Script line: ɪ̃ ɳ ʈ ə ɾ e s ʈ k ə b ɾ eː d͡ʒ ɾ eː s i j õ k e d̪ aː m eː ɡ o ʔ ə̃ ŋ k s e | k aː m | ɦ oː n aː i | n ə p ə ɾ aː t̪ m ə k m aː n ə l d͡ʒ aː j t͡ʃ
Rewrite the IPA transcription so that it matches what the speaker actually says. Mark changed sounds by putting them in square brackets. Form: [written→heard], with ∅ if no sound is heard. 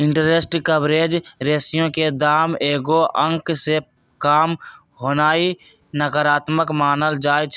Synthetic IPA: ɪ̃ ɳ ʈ ə ɾ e s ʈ k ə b ɾ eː d͡ʒ ɾ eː s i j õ k e d̪ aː m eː ɡ o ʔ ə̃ ŋ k s e | k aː m | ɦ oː n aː i | n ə [p→k] ə ɾ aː t̪ m ə k m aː n ə l d͡ʒ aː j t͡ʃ